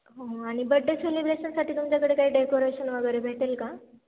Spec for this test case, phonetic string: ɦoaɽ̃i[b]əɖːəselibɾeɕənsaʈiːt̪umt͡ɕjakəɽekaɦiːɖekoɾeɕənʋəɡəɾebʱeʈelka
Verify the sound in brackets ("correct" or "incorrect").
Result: correct